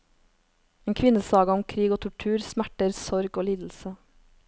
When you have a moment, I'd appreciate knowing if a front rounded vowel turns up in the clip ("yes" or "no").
no